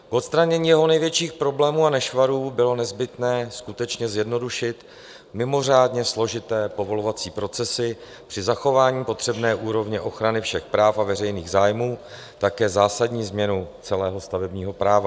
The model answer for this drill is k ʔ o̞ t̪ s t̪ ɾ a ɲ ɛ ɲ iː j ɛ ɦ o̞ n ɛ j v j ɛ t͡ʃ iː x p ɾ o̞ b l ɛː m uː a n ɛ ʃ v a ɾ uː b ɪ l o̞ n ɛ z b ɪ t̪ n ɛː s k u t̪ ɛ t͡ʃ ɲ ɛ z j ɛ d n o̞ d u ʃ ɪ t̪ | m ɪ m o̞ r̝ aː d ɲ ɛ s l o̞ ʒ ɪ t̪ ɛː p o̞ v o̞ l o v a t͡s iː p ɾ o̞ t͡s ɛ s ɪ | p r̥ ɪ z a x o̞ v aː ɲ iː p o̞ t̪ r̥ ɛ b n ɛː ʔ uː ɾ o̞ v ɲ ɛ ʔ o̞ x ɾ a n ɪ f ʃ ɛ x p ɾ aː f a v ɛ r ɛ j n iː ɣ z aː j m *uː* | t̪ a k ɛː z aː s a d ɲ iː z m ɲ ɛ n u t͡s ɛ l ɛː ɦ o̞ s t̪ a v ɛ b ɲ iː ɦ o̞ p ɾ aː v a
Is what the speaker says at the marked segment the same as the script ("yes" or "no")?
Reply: yes